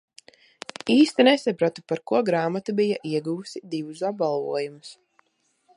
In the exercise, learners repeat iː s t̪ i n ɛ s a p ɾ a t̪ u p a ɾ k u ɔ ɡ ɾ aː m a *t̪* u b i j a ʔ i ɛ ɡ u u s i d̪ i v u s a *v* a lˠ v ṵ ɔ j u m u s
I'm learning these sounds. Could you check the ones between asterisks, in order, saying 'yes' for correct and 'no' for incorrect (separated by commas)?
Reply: yes, no